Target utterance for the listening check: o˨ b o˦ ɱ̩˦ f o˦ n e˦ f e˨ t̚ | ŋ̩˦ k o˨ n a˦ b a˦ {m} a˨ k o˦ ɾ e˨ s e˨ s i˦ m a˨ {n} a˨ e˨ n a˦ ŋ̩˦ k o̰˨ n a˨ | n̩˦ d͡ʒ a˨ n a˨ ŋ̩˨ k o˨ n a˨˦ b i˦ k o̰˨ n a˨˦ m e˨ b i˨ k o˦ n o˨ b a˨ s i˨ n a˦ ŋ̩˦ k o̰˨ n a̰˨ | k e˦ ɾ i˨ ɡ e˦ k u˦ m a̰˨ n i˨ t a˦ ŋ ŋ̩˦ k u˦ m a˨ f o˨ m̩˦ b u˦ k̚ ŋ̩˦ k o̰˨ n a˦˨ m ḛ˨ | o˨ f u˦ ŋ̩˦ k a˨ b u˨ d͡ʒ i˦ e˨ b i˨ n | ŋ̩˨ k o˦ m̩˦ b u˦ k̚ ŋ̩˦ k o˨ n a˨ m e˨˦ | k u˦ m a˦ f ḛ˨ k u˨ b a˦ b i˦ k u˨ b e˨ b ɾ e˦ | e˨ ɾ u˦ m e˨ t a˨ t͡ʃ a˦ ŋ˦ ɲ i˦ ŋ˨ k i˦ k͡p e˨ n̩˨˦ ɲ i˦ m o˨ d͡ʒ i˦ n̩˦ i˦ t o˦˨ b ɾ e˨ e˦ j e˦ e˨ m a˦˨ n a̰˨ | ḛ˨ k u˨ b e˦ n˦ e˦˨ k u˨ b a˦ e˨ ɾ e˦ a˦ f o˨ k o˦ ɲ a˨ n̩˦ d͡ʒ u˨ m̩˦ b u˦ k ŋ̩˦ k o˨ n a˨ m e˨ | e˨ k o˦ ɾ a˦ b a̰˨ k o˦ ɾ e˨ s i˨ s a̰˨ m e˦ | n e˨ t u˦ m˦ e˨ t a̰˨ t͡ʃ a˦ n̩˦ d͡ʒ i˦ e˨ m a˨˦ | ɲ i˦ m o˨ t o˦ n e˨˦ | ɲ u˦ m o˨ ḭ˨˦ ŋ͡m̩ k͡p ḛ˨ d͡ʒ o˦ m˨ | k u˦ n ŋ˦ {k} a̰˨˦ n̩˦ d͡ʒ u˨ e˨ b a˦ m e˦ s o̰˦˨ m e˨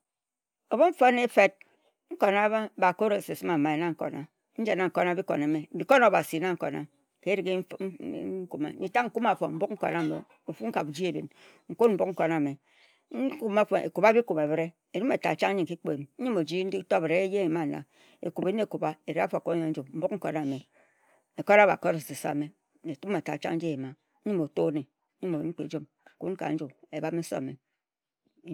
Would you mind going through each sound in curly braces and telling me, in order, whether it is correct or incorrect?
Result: incorrect: b, incorrect: m, correct

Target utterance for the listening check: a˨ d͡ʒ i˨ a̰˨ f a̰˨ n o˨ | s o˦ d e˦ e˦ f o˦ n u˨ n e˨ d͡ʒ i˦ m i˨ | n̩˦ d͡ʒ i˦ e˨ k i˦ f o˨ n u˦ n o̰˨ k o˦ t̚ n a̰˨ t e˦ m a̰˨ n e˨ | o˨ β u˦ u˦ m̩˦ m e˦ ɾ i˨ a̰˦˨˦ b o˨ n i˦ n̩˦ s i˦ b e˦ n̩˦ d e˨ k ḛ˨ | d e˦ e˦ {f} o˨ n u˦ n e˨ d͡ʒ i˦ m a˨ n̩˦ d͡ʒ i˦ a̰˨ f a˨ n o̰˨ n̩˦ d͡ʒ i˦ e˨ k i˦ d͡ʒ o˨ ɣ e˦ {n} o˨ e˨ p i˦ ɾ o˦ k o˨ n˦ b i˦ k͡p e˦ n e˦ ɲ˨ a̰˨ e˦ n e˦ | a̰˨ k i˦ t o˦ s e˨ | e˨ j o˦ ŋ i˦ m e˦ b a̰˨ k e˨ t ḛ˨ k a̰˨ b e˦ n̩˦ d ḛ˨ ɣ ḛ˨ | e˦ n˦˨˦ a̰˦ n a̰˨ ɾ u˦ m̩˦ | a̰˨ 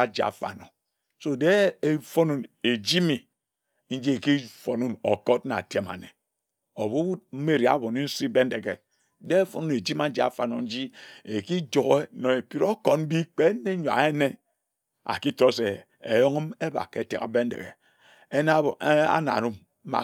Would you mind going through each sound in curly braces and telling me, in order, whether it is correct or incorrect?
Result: correct, correct

